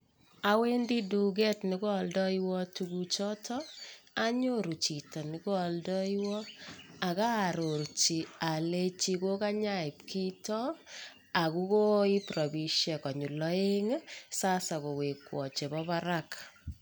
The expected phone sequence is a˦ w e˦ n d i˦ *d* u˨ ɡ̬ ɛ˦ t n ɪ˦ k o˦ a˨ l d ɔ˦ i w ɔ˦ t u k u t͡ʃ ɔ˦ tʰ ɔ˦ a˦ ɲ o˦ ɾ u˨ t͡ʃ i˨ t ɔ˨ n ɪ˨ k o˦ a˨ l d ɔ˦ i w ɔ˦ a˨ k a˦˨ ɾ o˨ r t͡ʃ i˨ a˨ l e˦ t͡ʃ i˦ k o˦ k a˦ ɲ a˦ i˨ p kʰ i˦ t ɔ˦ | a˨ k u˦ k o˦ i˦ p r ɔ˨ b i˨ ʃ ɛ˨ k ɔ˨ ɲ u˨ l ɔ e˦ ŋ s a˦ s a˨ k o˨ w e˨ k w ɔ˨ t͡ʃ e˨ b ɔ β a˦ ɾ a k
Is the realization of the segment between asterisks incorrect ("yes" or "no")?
no